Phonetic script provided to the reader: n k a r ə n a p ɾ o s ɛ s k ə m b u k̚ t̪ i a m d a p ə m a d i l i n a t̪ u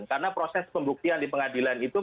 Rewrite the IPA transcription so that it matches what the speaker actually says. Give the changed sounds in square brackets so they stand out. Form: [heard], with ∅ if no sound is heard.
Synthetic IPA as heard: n k a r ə n a p ɾ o s ɛ s [p] ə m b u k̚ t̪ i a [n] d [i] p ə [ŋ] a d i l [a] n [i] t̪ u